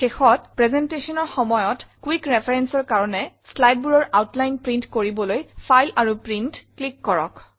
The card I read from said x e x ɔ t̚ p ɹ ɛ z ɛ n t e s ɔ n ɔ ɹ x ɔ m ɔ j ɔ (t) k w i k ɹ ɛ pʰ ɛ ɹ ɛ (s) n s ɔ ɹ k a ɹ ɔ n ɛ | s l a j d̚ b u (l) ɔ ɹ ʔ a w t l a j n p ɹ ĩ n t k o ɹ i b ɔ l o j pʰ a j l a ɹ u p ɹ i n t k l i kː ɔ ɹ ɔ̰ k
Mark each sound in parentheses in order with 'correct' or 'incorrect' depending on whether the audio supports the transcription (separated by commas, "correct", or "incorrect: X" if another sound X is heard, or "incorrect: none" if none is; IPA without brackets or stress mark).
correct, incorrect: none, incorrect: ɹ